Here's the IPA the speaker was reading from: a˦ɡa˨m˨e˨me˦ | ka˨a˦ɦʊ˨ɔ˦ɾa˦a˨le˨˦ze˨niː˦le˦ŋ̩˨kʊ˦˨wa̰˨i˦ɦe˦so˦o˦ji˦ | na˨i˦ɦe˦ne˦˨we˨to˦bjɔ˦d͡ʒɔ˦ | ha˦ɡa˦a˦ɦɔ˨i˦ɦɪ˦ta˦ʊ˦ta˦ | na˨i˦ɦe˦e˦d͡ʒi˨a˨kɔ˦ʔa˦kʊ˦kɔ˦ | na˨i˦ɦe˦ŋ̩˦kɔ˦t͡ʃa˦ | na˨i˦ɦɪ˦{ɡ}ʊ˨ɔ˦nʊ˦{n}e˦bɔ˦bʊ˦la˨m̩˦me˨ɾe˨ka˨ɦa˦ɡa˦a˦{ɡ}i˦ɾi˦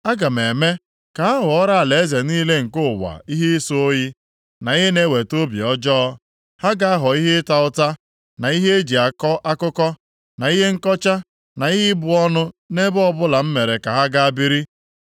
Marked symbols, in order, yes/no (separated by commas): no, yes, no